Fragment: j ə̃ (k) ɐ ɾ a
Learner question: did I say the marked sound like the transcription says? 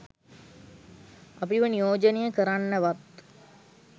yes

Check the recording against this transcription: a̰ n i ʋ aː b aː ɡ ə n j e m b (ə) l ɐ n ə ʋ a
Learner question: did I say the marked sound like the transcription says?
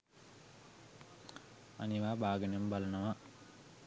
no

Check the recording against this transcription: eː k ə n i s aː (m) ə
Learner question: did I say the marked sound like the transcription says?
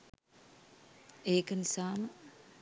yes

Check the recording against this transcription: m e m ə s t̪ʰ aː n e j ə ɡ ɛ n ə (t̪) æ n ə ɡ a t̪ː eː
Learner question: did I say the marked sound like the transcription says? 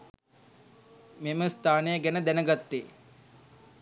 no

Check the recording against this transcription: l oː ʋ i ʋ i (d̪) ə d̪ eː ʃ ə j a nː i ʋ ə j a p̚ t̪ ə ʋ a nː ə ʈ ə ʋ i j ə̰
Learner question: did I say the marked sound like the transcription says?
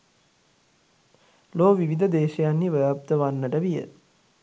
yes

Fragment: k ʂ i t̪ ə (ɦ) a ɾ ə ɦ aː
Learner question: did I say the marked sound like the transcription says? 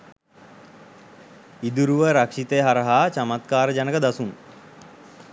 yes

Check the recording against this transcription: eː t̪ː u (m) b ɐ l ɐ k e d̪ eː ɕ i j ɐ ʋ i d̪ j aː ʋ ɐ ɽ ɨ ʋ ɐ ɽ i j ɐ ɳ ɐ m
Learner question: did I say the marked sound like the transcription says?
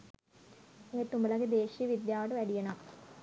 yes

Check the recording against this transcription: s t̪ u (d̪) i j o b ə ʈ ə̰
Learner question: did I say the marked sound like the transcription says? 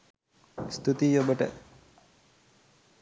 no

